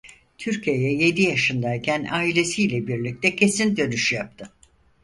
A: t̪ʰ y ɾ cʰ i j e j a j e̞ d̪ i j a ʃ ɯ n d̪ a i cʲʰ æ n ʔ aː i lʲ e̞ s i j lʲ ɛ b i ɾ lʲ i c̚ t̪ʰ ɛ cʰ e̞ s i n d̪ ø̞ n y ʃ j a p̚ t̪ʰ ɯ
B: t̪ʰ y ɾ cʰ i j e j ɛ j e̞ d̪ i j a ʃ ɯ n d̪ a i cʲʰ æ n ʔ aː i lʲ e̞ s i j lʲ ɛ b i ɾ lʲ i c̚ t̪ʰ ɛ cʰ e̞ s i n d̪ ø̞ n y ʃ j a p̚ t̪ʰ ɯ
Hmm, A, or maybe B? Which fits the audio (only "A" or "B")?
B